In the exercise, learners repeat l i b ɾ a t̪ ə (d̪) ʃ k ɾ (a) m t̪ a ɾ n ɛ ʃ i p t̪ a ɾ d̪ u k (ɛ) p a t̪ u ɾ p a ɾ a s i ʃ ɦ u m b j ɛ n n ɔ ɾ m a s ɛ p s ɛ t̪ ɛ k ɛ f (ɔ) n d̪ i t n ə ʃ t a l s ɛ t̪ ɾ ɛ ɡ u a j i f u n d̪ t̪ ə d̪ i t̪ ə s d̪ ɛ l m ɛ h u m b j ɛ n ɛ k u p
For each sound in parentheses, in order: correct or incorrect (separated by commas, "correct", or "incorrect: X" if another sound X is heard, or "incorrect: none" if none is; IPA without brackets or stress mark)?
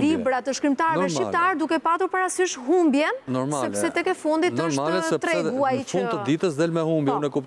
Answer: incorrect: none, incorrect: i, correct, incorrect: u